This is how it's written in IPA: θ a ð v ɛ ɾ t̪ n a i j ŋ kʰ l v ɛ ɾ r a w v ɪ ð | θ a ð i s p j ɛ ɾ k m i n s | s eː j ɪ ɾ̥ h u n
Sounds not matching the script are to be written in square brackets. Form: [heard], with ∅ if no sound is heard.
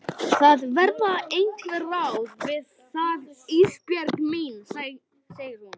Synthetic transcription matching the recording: θ a ð v ɛ ɾ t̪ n a [e] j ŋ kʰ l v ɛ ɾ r a w v ɪ ð | θ a ð i s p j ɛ ɾ k m i n s | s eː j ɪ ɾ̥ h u n